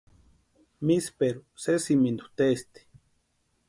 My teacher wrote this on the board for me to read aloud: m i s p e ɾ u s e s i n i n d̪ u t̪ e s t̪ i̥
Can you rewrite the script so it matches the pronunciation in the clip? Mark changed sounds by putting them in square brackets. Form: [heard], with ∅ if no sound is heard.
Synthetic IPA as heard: m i s p e ɾ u s e s i [m] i n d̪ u t̪ e s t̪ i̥